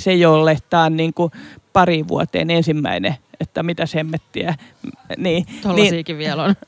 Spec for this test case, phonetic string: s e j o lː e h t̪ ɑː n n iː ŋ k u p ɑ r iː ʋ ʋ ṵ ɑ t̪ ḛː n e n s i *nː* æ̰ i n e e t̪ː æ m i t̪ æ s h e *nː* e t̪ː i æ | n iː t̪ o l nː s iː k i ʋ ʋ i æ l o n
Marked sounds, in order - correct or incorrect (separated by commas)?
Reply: incorrect, incorrect